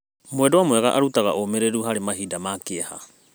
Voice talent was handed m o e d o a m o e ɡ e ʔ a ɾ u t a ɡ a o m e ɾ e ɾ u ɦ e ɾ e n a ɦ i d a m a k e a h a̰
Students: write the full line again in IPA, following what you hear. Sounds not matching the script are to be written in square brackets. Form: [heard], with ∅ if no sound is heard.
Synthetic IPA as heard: m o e d o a m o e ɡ [a] ʔ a ɾ u t a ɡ a o m e ɾ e ɾ u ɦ [a] ɾ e [m] a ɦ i d a m a k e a h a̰